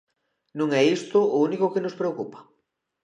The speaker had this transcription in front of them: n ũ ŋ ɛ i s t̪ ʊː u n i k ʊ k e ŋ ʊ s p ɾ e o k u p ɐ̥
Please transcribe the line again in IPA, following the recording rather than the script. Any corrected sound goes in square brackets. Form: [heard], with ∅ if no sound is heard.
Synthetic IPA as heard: n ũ ŋ ɛ i s t̪ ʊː u n i k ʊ k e [n] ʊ s p ɾ e o k u p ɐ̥